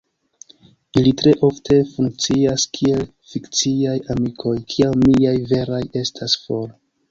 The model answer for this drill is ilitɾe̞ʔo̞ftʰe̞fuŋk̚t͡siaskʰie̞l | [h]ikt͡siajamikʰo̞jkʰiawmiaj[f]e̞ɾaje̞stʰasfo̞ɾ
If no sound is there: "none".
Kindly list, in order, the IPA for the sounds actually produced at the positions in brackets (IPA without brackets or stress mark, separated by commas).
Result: f, v